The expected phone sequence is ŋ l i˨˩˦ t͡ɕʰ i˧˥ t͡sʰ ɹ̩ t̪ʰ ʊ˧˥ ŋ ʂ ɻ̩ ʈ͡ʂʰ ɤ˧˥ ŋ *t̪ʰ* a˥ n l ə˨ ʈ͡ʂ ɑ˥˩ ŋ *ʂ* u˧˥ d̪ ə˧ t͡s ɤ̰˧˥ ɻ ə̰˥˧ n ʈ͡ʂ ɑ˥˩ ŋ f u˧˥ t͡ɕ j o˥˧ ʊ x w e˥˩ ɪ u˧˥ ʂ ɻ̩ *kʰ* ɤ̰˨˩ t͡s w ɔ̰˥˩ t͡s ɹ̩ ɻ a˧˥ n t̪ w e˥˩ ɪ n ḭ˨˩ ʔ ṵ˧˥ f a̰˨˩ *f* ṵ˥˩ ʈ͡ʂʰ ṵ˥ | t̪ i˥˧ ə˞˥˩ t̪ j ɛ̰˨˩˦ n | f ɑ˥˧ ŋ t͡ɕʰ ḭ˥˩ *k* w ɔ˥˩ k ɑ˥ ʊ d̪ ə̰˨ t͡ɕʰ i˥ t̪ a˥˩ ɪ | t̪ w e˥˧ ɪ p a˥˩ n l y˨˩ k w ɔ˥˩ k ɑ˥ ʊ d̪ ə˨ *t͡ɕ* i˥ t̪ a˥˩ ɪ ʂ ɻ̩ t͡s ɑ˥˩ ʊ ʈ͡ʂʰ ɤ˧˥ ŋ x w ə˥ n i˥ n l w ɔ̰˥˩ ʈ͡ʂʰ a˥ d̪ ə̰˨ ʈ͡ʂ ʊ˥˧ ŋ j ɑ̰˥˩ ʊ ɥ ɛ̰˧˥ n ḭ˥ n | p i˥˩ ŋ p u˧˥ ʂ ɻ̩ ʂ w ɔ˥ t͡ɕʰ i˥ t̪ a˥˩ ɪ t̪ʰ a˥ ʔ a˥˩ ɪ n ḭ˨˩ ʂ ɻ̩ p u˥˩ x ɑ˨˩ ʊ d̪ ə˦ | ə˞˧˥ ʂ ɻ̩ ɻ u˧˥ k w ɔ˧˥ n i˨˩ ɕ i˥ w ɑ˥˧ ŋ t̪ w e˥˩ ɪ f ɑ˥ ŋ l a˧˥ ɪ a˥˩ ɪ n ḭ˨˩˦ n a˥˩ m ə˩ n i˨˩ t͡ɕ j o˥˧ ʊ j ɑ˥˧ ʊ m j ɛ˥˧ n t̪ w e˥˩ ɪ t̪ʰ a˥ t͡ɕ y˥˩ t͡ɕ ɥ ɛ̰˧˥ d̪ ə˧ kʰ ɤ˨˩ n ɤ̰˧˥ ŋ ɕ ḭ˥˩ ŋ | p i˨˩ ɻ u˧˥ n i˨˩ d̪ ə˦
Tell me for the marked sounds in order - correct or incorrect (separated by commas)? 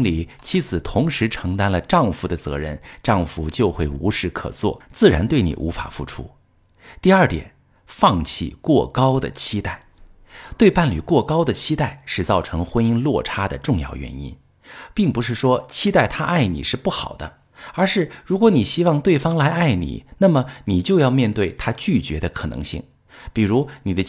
incorrect, incorrect, correct, correct, correct, incorrect